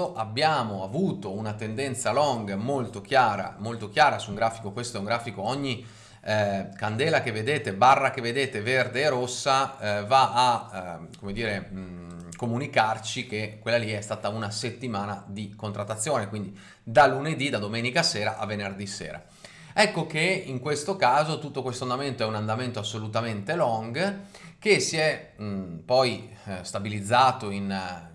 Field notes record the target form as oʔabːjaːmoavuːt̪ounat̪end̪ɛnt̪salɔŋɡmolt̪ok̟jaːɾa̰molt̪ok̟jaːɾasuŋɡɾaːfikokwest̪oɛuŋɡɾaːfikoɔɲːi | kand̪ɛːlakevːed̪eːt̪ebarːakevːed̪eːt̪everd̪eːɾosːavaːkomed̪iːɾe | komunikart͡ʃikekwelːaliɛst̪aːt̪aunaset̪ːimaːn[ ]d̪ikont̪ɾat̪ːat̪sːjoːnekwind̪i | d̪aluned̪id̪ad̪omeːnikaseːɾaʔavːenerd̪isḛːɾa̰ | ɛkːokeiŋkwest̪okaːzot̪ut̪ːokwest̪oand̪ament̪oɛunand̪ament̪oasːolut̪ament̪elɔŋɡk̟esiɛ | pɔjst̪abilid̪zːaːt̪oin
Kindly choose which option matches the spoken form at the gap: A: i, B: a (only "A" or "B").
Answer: B